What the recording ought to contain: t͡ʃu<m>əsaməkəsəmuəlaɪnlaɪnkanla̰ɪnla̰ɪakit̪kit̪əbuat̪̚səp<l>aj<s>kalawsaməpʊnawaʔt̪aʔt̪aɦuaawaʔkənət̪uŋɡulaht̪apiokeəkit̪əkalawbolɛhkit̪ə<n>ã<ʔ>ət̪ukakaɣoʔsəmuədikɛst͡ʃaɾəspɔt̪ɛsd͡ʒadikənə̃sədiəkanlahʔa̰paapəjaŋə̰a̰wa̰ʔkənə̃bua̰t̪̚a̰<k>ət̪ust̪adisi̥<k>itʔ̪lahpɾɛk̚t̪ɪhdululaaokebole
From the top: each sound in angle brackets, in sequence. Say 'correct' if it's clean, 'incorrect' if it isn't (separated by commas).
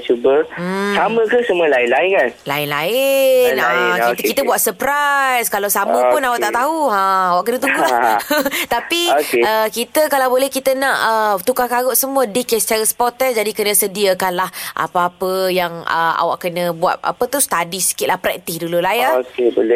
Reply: incorrect, incorrect, correct, correct, correct, incorrect, correct